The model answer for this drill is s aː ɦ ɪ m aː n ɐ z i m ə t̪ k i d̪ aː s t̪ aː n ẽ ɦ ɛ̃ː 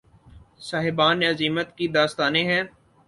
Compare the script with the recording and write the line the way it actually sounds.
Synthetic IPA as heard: s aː ɦ ɪ b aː n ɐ z iː m ə t̪ k i d̪ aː s t̪ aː n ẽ ɦ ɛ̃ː